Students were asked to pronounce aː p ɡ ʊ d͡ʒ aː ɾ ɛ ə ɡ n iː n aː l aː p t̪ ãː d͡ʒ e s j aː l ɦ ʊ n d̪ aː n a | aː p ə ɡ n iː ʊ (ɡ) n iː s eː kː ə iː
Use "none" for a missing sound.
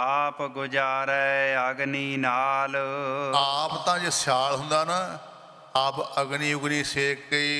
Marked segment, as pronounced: ɡ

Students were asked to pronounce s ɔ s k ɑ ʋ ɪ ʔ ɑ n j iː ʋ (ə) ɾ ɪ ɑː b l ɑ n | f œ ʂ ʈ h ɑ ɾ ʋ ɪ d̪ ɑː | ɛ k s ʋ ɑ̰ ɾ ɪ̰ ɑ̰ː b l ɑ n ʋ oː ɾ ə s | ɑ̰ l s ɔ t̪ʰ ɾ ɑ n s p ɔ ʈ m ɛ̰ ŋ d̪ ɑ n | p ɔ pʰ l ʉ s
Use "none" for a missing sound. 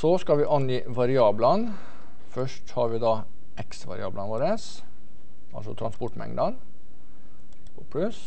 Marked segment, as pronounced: ɑ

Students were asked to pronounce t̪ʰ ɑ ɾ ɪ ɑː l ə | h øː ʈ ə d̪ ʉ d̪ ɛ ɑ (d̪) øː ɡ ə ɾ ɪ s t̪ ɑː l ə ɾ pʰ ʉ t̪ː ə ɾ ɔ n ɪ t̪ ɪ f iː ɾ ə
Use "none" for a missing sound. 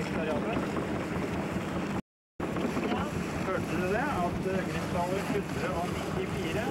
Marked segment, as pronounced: t̪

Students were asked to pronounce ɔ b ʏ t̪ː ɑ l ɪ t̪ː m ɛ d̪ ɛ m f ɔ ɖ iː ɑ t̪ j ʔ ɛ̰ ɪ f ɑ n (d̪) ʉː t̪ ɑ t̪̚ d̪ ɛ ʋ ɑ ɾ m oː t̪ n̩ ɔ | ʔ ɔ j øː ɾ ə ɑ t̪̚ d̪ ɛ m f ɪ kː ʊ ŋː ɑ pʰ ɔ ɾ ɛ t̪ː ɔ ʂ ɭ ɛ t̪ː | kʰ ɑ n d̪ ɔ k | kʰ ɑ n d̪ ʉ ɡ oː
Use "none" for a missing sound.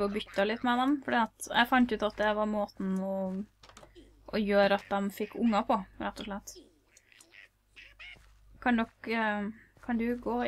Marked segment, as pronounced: t̪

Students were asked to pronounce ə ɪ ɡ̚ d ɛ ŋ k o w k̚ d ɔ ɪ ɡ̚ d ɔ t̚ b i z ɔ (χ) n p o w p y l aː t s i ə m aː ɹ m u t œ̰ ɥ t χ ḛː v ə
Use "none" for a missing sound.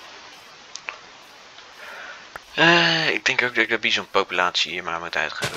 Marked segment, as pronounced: none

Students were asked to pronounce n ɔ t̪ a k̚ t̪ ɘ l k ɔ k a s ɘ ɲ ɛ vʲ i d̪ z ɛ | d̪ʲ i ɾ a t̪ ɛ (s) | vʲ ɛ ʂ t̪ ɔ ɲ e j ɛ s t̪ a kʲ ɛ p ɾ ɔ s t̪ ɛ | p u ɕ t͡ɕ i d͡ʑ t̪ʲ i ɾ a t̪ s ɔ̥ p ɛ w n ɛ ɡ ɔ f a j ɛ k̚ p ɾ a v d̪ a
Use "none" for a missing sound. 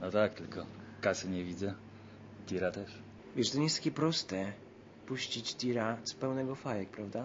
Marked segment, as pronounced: ʂ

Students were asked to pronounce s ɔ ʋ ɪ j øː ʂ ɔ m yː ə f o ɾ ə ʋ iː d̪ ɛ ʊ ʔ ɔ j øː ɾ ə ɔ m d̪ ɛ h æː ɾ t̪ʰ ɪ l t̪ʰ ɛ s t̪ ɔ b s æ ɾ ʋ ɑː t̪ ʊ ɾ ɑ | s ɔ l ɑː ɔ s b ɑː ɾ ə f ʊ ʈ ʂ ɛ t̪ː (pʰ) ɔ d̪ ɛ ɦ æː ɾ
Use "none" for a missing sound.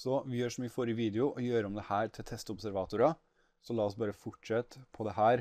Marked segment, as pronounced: pʰ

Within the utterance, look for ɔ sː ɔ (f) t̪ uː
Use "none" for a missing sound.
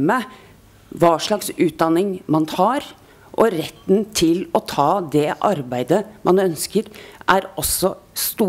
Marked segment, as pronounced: s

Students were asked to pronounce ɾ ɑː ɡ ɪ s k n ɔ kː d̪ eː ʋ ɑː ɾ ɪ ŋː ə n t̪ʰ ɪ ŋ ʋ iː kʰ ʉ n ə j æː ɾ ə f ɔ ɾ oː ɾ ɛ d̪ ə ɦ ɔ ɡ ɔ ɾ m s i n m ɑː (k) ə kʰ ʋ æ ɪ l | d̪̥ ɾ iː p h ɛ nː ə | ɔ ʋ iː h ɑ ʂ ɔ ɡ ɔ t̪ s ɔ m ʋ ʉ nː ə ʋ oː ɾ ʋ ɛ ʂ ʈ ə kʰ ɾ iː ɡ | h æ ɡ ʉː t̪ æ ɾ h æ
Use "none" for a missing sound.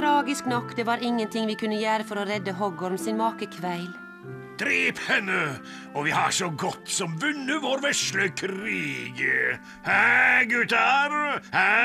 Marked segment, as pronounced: k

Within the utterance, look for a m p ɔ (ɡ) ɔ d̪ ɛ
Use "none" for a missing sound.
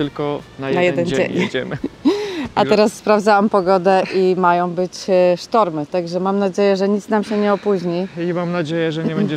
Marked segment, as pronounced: ɡ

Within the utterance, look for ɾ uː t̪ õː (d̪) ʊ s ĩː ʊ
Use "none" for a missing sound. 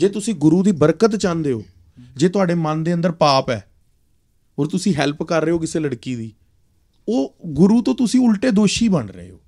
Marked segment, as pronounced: t̪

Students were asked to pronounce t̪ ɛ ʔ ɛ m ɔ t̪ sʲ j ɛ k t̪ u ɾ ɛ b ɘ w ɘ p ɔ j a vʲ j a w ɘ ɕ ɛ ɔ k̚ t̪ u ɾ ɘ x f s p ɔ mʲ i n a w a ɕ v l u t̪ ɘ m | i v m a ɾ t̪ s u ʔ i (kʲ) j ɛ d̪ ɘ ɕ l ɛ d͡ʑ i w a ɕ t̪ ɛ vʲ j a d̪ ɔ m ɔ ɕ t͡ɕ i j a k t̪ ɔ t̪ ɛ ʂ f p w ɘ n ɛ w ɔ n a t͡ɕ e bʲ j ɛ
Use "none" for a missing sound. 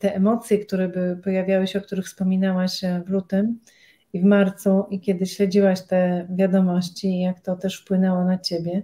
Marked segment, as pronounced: kʲ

